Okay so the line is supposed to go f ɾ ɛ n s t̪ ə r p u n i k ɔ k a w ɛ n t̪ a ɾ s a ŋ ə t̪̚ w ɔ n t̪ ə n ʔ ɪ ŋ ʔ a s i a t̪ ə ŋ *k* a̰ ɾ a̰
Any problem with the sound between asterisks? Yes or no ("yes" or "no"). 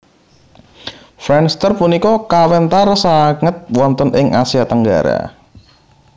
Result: yes